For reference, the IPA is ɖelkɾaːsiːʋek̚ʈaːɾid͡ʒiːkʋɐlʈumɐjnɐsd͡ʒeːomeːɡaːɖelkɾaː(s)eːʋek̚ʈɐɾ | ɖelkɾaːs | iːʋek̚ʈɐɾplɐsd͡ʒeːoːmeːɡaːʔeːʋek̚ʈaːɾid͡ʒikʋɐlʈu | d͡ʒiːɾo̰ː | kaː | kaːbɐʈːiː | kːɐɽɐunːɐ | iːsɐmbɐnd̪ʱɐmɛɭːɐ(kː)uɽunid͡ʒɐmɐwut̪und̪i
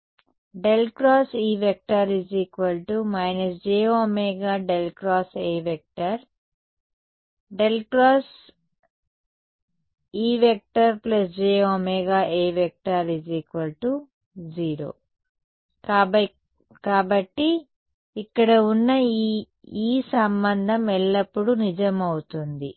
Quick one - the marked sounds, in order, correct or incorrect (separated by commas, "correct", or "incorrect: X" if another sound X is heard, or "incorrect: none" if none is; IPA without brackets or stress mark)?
correct, incorrect: pː